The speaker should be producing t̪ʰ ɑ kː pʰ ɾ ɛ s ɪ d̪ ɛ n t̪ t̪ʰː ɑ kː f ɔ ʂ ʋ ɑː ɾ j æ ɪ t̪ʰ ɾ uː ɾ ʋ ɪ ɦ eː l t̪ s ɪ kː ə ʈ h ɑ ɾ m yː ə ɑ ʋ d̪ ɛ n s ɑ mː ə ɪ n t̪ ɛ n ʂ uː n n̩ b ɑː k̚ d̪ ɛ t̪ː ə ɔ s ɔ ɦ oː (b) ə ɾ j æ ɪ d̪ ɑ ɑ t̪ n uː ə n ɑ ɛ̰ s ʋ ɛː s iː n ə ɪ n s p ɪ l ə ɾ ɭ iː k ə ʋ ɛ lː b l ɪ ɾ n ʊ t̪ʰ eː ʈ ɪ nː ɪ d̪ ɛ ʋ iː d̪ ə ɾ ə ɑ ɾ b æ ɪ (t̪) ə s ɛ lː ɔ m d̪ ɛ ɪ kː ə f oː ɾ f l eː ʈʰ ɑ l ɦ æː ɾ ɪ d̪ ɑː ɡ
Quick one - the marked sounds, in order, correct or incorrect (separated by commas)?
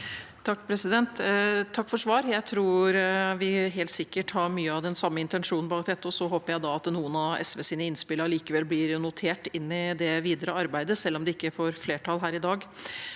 incorrect, incorrect